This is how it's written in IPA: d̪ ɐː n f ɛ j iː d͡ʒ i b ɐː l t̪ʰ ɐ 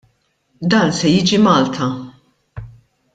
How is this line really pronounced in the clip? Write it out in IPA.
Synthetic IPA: d̪ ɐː n s ɛ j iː d͡ʒ i m ɐː l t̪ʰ ɐ